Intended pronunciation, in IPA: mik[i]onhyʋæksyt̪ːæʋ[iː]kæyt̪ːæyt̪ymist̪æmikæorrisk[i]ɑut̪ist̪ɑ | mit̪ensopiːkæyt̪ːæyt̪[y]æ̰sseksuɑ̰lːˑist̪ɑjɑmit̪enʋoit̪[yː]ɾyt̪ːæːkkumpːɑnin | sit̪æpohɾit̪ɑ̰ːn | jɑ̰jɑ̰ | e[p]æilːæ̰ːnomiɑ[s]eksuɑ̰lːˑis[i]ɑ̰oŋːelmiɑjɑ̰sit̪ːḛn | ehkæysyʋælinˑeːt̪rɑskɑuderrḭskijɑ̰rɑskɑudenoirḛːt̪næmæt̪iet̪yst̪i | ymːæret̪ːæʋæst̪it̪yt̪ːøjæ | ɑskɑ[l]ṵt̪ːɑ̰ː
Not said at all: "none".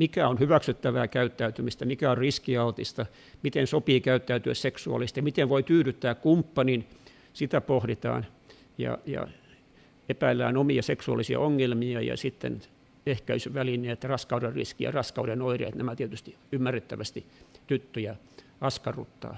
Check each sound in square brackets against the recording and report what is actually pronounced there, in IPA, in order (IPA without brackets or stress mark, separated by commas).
æ, æː, i, y, yː, p, s, i, r